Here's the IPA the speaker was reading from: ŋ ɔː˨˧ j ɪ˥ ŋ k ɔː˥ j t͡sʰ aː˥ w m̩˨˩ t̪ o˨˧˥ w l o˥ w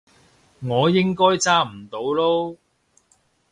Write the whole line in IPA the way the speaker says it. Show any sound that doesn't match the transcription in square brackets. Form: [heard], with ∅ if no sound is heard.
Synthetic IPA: ŋ ɔː˨˧ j ɪ˥ ŋ k ɔː˥ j [t͡s] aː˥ [∅] m̩˨˩ t̪ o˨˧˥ w l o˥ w